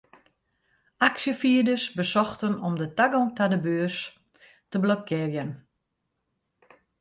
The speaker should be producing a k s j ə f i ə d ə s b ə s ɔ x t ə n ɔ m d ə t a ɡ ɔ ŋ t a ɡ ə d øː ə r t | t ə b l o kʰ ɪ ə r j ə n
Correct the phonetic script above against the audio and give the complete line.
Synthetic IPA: a k s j ə f i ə d ə s b ə s ɔ x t ə n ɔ m d ə t a ɡ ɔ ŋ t a d ə b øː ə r s | t ə b l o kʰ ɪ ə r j ə n